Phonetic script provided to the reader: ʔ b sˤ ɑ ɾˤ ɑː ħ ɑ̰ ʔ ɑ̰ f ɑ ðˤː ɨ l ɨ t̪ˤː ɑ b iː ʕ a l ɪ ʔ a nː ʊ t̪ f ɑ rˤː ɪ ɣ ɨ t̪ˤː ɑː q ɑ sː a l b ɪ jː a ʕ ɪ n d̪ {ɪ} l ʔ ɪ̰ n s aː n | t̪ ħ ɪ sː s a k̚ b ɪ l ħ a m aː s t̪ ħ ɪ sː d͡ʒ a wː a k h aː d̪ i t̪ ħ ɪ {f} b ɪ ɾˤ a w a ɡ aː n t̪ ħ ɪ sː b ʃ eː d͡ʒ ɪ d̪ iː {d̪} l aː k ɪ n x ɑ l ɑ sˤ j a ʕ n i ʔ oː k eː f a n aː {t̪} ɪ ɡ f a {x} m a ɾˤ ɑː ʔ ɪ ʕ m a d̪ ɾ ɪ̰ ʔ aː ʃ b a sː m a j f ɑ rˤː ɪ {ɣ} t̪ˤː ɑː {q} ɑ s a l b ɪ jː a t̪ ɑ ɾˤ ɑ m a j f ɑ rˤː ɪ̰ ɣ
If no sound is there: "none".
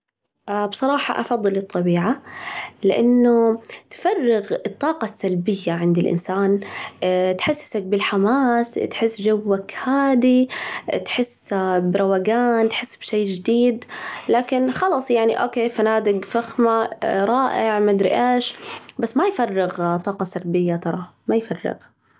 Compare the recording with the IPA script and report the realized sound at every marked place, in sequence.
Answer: ɪ, s, d̪, d̪, x, ɣ, q

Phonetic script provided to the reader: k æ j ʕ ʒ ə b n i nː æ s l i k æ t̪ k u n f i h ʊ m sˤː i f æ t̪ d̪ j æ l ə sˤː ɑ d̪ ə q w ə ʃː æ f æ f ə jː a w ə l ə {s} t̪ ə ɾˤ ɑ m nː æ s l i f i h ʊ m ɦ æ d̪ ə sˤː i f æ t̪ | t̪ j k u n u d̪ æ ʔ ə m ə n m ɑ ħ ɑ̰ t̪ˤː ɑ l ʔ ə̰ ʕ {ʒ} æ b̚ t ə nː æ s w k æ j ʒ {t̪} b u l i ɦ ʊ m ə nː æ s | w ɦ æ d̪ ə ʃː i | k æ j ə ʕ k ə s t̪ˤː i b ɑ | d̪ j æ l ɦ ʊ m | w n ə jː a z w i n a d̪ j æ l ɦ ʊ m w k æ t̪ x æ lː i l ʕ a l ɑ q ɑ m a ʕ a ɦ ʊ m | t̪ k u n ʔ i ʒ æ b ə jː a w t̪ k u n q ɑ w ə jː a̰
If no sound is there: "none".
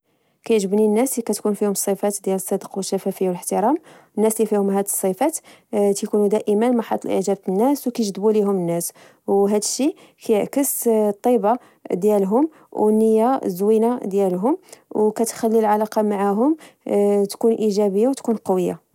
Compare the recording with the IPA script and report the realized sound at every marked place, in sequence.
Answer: ħ, ʒ, d̪

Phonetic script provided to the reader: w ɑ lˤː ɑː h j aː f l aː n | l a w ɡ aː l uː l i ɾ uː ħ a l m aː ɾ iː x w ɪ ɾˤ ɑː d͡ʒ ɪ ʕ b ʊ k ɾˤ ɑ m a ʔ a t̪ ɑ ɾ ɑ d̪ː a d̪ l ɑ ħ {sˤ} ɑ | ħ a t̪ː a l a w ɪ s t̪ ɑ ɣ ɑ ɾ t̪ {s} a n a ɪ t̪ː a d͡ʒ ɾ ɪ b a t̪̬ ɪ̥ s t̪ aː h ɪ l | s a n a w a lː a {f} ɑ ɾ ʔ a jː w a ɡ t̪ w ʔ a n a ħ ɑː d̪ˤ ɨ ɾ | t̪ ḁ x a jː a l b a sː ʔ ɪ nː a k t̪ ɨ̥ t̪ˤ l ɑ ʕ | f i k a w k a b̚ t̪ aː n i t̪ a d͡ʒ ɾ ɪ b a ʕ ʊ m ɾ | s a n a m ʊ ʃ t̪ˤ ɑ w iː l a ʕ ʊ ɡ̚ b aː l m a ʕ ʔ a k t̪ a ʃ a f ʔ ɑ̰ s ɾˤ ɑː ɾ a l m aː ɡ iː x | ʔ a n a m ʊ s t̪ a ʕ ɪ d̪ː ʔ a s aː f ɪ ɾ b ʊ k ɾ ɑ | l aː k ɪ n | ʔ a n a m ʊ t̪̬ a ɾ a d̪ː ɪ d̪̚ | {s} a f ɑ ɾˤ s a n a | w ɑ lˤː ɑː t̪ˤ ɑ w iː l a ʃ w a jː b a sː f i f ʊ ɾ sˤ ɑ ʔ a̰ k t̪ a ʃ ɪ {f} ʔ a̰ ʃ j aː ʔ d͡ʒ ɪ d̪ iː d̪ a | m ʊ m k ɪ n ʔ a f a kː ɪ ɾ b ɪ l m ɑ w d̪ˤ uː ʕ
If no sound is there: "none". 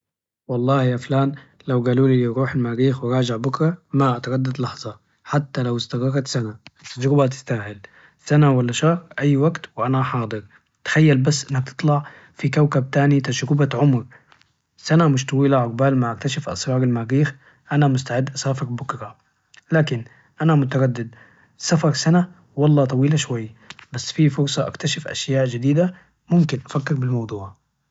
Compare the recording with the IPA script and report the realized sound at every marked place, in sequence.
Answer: zˤ, s, ʃ, s, f

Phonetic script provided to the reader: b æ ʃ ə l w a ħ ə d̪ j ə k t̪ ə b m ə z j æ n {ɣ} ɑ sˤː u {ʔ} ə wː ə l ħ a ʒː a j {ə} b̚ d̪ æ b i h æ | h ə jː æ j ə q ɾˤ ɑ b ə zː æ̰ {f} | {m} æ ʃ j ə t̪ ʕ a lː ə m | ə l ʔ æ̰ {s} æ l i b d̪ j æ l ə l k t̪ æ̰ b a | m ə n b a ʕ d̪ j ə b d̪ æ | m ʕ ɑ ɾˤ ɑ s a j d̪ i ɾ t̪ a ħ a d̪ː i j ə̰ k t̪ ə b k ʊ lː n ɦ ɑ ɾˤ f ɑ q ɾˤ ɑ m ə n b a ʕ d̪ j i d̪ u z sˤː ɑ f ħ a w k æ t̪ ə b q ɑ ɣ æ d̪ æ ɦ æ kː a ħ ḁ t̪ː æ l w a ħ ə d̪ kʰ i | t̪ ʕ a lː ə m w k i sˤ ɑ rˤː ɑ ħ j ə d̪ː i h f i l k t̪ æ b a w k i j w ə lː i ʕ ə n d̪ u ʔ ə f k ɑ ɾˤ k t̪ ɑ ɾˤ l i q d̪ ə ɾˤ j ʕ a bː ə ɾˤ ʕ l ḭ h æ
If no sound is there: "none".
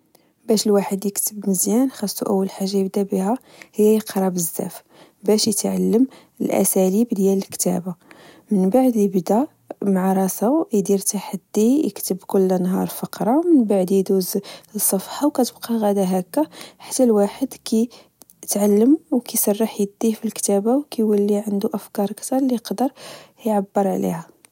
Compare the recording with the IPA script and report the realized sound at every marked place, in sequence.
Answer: x, ʔ, ə, f, b, s

